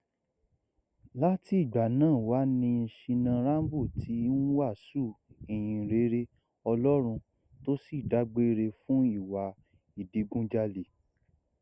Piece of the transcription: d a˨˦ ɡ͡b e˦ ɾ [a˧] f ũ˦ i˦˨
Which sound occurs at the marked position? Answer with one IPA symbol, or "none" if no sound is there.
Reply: e˧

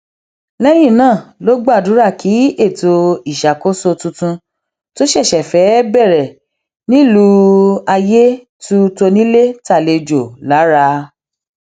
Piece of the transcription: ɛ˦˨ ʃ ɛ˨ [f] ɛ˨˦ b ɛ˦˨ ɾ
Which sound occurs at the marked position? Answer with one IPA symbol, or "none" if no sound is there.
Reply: f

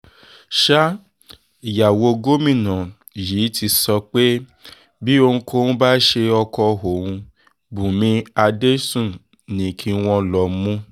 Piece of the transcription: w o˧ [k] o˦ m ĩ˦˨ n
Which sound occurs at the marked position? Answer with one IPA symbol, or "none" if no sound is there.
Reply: ɡ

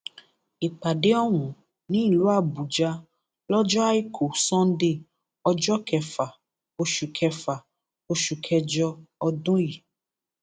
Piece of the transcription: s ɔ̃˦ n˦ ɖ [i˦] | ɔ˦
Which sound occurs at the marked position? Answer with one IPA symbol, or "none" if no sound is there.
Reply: e˦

